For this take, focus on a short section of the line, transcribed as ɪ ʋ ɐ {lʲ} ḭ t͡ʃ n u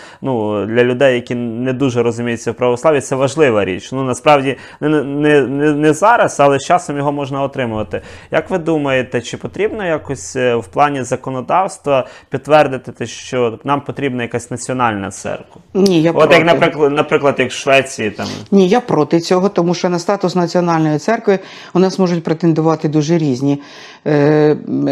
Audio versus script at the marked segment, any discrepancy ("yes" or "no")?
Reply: yes